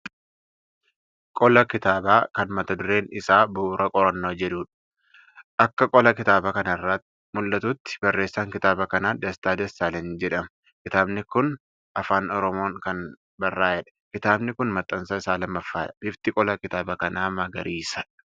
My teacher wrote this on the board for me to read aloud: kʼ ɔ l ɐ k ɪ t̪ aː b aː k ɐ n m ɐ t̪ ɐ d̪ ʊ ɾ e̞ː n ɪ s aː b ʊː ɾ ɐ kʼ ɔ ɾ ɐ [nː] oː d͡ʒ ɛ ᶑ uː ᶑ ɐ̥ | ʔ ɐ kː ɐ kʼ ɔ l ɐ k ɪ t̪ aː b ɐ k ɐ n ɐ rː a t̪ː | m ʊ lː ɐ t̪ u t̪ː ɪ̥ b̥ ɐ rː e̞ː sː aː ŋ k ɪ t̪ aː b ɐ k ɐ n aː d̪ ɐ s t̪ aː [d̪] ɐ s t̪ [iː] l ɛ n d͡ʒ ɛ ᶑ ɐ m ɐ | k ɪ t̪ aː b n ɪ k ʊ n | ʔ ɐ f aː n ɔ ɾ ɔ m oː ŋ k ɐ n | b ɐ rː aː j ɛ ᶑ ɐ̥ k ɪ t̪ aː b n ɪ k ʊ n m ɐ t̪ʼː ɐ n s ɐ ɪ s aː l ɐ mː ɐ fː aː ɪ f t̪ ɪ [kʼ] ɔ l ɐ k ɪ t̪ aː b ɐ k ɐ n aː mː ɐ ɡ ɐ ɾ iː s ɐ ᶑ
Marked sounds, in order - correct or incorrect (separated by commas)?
correct, correct, incorrect, correct